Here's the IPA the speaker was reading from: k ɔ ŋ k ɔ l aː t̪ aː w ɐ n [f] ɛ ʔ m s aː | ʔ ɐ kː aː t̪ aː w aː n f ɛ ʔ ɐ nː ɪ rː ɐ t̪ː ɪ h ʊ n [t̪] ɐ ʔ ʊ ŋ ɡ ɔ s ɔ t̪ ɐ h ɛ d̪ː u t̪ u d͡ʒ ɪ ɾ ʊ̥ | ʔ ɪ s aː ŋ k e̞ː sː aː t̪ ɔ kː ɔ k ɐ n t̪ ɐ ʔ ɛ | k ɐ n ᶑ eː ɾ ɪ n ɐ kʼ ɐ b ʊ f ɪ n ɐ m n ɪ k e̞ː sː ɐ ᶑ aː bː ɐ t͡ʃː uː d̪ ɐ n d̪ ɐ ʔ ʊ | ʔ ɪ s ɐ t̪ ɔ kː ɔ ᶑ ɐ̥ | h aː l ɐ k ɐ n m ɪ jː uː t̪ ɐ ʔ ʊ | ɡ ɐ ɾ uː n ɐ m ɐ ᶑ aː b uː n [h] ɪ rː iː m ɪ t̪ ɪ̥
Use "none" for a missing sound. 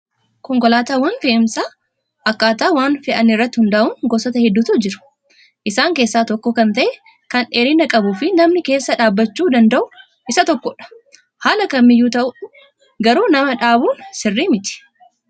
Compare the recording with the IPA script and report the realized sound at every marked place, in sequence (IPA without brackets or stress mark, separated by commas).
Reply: f, d̪, s